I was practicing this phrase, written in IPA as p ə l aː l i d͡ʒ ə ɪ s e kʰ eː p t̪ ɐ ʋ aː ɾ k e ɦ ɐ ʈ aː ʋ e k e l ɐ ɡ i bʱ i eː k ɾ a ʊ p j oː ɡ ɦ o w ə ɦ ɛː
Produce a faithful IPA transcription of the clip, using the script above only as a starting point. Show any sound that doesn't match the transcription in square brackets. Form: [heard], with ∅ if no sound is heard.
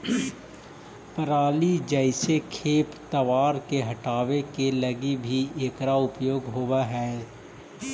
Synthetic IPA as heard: p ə [ɾ] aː l i d͡ʒ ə ɪ s e kʰ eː p t̪ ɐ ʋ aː ɾ k e ɦ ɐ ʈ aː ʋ e k e l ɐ ɡ i bʱ i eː k ɾ a ʊ p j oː ɡ ɦ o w [a] ɦ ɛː